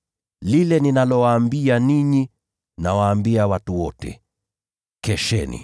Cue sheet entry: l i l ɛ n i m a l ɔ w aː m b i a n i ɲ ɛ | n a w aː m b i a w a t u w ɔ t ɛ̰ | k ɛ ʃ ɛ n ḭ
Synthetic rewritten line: l i l ɛ n i n a l ɔ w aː m b i a n i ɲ i | n a w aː m b i a w a t u w ɔ t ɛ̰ | k ɛ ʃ ɛ n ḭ